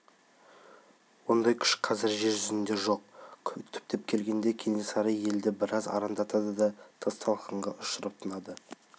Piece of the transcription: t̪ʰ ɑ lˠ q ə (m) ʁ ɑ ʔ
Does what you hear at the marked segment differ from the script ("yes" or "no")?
yes